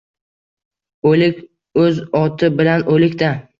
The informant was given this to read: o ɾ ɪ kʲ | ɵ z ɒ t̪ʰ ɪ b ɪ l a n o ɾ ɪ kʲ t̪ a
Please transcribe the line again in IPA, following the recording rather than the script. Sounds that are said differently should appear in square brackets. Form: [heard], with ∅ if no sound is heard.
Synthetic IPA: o [l] ɪ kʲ | ɵ z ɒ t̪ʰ ɪ b ɪ l a n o [l] ɪ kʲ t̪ a